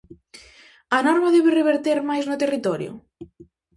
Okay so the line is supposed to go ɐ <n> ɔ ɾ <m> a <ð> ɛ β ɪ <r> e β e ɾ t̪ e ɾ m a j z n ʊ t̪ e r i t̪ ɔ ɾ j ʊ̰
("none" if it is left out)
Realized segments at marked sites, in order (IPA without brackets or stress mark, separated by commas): n, m, ð, r